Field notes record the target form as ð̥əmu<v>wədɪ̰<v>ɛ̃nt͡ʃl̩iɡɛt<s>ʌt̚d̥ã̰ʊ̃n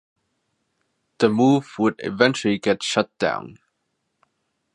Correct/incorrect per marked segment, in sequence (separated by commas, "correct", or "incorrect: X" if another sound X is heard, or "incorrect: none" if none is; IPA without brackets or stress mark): correct, correct, incorrect: ʃ